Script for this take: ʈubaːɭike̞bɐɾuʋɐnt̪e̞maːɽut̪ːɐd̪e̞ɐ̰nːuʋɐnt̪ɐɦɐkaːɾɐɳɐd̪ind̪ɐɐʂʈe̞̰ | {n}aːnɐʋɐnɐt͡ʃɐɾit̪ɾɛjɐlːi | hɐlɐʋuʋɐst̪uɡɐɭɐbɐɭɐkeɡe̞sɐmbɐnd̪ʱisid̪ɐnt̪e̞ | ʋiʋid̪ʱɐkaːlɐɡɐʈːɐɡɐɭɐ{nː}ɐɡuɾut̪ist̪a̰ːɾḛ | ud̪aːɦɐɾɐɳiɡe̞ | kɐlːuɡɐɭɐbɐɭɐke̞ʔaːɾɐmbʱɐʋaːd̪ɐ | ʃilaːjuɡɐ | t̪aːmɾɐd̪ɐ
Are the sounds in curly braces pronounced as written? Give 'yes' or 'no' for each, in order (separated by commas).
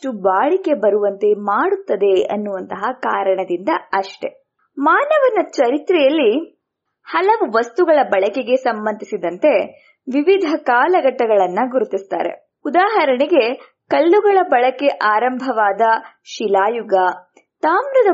no, yes